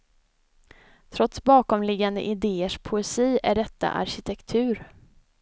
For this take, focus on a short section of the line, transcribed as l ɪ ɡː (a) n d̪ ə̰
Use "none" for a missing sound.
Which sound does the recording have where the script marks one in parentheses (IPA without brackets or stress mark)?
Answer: a